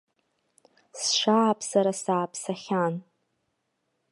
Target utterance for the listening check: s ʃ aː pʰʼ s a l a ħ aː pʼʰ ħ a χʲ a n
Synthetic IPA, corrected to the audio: s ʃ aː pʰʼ s a ɾ a s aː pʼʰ s a χʲ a n